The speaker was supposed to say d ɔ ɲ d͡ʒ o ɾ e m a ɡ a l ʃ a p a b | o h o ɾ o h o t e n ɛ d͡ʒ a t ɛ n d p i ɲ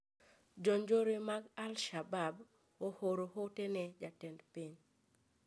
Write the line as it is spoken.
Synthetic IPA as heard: d͡ʒ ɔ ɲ d͡ʒ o ɾ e m a ɡ a l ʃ a b a b | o h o ɾ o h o t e n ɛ d͡ʒ a t ɛ n d p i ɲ